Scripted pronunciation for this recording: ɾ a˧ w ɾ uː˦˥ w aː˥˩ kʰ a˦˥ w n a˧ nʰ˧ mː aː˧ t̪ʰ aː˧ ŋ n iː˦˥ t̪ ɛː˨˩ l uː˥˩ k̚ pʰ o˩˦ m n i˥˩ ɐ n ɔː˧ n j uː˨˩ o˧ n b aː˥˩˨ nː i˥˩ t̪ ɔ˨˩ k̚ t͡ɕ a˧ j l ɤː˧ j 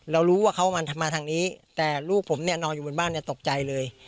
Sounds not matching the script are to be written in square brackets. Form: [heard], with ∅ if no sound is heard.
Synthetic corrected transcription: ɾ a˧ w ɾ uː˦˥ w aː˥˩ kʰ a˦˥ w [m] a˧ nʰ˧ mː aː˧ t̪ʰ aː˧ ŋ n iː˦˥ t̪ ɛː˨˩ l uː˥˩ k̚ pʰ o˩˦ m n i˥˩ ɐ n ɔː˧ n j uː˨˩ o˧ n b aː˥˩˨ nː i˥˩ t̪ [o˨˩] k̚ t͡ɕ a˧ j l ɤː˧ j